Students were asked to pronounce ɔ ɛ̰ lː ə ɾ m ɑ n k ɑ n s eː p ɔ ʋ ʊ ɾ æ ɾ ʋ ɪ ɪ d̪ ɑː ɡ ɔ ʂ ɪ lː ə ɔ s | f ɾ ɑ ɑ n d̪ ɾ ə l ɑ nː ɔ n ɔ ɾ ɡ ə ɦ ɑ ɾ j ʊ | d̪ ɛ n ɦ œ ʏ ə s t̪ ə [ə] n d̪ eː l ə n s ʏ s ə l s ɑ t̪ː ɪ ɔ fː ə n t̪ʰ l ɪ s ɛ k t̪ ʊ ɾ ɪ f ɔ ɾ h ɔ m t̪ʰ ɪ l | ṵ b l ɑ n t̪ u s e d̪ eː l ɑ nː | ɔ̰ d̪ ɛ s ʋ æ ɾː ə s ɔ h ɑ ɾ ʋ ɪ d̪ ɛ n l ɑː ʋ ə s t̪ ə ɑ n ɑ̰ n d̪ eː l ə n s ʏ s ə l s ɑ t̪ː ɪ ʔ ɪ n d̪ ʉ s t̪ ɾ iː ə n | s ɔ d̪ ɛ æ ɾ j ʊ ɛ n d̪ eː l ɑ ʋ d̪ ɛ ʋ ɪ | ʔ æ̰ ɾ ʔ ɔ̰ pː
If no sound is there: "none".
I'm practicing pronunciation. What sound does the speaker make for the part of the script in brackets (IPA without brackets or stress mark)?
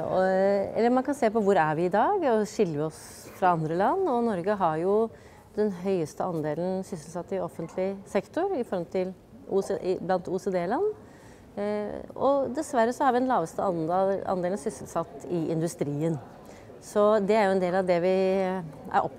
ɑ